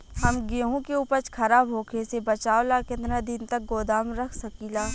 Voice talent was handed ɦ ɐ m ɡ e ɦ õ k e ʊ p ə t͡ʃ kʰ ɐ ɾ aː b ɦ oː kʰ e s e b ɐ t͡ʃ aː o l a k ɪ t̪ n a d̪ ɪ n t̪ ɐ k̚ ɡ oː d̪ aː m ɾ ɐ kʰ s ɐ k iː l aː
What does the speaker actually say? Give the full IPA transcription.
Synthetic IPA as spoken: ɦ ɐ m ɡ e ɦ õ k e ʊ p ə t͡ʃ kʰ ɐ ɾ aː b ɦ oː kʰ e s e b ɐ t͡ʃ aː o l a k ɪ t̪ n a d̪ ɪ n t̪ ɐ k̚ ɡ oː d̪ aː m ɾ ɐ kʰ s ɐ k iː l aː